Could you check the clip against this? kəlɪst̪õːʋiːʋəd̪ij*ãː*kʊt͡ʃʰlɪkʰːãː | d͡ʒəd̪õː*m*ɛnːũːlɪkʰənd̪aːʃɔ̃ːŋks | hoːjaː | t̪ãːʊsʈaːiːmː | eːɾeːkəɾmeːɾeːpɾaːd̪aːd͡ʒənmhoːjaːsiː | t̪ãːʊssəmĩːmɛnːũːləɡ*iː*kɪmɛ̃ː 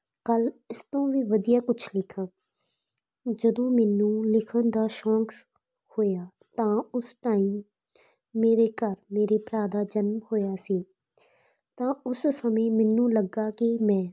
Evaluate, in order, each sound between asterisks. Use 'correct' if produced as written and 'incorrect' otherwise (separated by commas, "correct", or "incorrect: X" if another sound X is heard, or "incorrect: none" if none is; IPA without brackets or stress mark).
incorrect: aː, correct, incorrect: aː